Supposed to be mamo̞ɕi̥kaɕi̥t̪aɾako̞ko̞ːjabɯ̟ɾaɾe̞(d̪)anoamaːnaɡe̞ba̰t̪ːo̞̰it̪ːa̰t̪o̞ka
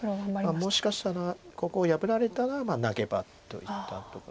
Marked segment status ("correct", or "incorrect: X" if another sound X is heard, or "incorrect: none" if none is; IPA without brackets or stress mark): incorrect: t̪